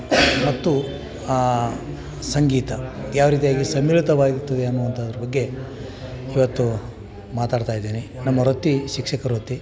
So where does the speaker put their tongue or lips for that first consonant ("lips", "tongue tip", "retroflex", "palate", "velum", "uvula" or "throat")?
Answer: lips